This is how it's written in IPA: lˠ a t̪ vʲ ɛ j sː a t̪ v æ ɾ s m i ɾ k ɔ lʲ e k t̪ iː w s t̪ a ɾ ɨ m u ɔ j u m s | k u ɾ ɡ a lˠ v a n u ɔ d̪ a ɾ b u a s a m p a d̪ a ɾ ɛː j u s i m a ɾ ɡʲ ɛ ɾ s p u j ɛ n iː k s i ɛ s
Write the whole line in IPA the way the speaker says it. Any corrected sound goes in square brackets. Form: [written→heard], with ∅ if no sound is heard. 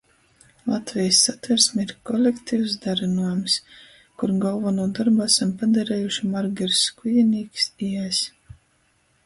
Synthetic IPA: lˠ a t̪ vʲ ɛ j sː a t̪ v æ ɾ s m i ɾ k ɔ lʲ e k t̪ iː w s [t̪→d̪] a ɾ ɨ [m→n] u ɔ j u m s | k u ɾ ɡ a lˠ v a n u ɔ d̪ a ɾ b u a s a m p a d̪ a ɾ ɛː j u [s→ʃ] i m a ɾ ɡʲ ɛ ɾ s [p→k] u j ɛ n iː k s i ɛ s